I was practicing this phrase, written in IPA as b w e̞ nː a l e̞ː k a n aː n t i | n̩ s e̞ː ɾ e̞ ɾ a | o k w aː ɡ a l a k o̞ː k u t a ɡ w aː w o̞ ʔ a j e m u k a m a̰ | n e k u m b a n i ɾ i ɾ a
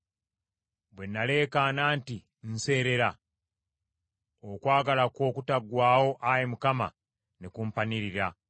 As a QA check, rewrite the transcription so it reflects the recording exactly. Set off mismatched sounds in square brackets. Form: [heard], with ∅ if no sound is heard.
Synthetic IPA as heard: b w e̞ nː a l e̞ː k a n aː n t i | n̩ s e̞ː ɾ e̞ ɾ a | o k w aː ɡ a l a k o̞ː k u t a ɡ w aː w o̞ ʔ a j e m u k a m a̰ | n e k u m [p] a n i ɾ i ɾ a